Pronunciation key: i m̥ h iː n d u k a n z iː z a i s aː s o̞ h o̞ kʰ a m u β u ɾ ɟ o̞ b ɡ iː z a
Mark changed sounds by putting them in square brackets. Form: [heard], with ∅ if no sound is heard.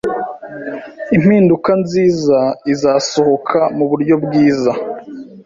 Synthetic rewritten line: i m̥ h iː n d u k a n z iː z a i [z] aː s o̞ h o̞ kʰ a m u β u ɾ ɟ o̞ b ɡ iː z a